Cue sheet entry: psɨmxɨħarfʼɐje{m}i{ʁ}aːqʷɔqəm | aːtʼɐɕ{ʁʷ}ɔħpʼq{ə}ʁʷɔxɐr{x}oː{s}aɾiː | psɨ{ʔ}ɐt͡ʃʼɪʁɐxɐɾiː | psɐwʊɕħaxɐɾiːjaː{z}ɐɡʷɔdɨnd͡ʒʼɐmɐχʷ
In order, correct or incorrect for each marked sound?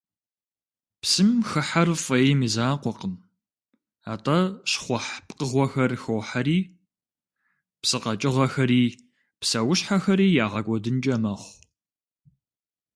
correct, incorrect, incorrect, correct, correct, incorrect, incorrect, incorrect

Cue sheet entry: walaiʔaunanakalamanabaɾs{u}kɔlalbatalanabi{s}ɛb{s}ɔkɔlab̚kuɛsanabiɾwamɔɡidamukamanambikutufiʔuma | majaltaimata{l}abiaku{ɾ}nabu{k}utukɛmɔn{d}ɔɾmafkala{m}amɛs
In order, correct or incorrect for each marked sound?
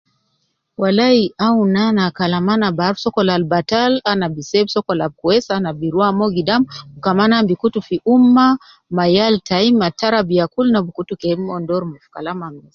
incorrect, correct, correct, incorrect, incorrect, correct, correct, correct

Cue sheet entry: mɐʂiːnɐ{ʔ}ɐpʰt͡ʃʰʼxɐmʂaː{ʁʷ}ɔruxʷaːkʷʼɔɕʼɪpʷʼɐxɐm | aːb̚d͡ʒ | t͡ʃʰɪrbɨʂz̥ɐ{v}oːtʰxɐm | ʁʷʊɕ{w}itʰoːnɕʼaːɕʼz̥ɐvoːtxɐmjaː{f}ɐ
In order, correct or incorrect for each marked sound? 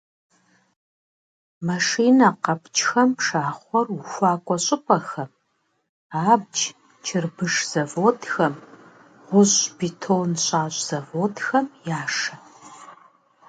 incorrect, incorrect, correct, incorrect, incorrect

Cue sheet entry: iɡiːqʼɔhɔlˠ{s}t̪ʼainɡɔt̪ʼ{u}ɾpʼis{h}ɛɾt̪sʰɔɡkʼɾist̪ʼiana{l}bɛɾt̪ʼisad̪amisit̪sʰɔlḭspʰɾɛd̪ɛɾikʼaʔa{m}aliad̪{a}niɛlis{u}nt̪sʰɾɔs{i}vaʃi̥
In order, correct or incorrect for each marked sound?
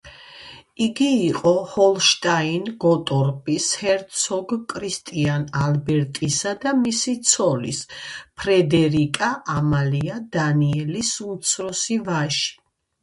incorrect, incorrect, correct, correct, correct, correct, correct, correct

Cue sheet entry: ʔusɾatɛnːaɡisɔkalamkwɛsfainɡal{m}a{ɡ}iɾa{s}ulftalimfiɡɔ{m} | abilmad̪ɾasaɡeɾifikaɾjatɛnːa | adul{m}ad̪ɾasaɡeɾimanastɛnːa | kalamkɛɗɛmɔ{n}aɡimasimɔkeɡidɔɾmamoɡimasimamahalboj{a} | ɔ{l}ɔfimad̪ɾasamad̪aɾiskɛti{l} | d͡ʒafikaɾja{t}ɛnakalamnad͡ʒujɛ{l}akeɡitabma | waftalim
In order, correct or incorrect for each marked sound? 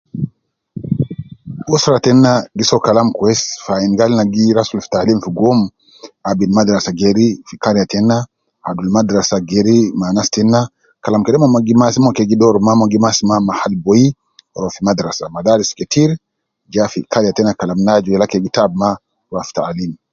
incorrect, correct, correct, correct, correct, incorrect, incorrect, incorrect, incorrect, correct, correct

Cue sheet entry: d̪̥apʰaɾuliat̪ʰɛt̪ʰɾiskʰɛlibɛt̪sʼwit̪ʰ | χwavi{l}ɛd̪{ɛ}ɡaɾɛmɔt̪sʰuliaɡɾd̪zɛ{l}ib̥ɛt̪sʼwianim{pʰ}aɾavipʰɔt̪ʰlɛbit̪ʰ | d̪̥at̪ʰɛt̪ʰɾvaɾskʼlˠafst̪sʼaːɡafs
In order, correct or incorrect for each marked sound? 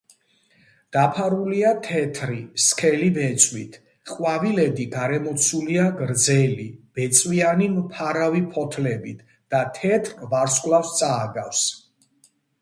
correct, incorrect, correct, correct

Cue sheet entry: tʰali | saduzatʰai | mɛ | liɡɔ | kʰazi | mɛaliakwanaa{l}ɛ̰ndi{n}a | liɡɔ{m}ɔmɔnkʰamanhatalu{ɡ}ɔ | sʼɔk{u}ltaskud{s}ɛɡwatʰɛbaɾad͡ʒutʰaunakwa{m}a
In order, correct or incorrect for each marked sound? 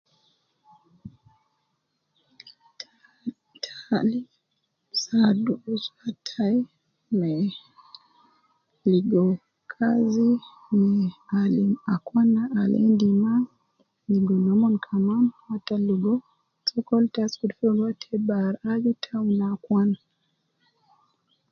correct, incorrect, incorrect, correct, incorrect, incorrect, incorrect

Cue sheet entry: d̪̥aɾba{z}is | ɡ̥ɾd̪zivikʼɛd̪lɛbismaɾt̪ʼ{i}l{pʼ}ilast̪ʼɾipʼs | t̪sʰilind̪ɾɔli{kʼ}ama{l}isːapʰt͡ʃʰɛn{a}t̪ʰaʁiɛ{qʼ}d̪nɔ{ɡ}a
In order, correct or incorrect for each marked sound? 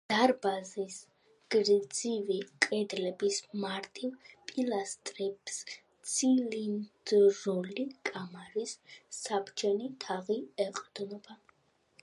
correct, correct, correct, correct, incorrect, incorrect, correct, incorrect

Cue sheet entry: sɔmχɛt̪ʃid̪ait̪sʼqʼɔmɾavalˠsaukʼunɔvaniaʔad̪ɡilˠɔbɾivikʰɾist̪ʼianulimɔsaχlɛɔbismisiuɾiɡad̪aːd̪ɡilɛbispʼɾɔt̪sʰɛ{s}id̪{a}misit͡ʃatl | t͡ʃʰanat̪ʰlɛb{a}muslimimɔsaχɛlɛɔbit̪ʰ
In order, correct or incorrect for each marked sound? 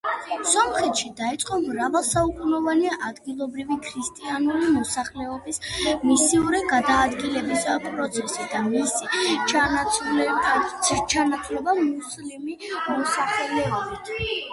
correct, correct, correct

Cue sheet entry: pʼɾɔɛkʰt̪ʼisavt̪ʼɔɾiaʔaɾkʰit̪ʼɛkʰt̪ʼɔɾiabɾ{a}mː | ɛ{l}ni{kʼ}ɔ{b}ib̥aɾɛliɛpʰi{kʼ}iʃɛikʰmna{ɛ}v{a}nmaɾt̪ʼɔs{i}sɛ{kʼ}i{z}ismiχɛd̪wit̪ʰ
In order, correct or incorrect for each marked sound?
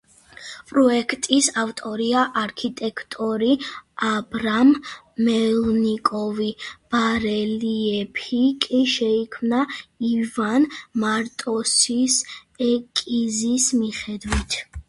correct, correct, correct, incorrect, correct, incorrect, correct, correct, correct, correct

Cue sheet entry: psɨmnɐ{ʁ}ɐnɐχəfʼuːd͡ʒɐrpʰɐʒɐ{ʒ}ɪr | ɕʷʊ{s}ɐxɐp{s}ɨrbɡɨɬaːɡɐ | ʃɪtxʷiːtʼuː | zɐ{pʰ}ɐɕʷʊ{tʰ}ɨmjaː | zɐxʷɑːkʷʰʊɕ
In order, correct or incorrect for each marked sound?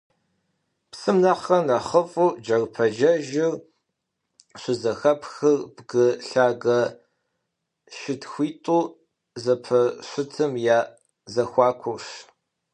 incorrect, correct, incorrect, incorrect, correct, correct

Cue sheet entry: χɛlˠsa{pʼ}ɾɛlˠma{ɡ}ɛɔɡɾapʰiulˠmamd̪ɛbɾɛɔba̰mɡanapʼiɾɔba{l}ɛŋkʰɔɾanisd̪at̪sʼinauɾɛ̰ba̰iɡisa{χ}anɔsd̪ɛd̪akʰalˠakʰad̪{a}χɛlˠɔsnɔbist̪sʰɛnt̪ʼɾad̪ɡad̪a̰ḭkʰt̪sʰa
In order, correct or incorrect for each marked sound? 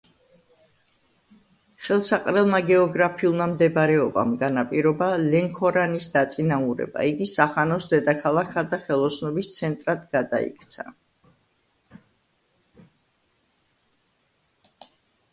incorrect, correct, correct, correct, correct

